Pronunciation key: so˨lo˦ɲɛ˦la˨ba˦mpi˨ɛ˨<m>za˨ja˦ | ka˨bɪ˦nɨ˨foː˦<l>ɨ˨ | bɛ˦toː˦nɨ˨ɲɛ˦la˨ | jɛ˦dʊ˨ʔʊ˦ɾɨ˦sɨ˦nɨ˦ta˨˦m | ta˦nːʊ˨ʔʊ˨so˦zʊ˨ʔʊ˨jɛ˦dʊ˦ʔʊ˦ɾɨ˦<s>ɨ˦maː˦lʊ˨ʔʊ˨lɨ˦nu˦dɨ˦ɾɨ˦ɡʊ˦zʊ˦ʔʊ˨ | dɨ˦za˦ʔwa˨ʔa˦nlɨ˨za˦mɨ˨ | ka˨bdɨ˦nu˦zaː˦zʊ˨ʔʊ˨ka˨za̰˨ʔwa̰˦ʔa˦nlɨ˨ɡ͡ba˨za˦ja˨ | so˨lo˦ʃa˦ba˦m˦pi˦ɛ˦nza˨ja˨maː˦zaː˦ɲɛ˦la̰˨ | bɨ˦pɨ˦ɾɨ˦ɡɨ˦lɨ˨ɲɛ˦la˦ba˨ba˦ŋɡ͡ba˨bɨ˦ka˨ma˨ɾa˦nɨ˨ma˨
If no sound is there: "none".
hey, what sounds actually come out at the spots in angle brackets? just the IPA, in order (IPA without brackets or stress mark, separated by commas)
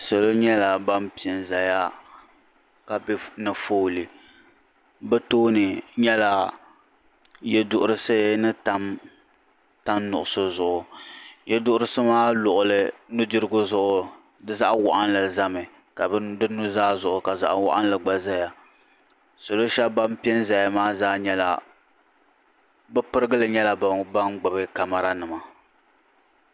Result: n, l, s